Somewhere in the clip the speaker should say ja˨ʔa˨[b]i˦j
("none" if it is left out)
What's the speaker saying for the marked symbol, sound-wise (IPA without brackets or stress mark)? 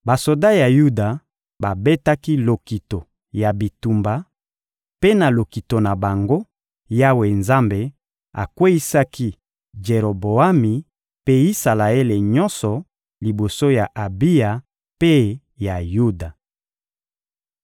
b